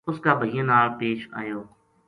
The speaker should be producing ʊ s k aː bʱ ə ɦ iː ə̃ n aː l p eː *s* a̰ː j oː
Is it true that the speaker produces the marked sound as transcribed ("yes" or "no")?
no